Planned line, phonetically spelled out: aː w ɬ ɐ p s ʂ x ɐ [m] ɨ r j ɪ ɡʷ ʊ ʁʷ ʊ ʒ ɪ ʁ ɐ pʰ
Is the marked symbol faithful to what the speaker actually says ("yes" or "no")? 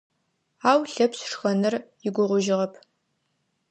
no